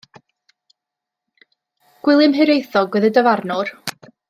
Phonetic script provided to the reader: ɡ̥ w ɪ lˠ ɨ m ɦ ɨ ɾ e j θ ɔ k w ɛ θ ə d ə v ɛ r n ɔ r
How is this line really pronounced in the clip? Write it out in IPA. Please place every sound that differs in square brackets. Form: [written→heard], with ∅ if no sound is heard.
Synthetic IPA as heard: ɡ̥ w ɪ lˠ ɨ m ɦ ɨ ɾ e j θ ɔ [k→ɡ] w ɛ [θ→ð] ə d ə v [ɛ→a] r n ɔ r